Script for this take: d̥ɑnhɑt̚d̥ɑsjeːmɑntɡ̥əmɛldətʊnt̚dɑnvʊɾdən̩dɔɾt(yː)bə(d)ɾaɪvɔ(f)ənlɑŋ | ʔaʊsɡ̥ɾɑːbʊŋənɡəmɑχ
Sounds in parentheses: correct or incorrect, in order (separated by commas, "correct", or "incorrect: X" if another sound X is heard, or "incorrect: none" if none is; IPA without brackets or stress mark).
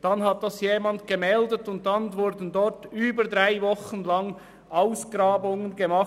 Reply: correct, correct, incorrect: χ